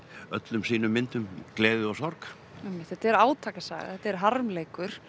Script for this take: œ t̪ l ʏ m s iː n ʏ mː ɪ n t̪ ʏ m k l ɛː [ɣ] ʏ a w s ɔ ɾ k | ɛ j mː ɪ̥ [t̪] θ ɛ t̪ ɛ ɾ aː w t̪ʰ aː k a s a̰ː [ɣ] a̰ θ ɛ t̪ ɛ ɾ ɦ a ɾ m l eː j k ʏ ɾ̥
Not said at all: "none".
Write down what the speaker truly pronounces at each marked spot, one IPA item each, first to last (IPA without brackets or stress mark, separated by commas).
ð, t̪, ɣ